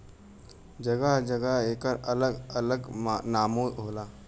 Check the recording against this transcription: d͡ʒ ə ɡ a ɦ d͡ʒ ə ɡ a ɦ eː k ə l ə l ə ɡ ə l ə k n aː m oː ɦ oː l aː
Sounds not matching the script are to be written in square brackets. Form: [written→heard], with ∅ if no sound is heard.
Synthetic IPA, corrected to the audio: d͡ʒ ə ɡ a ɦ d͡ʒ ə ɡ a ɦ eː k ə [l→ɾ] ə l ə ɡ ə l ə [k→ɡ] n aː m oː ɦ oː l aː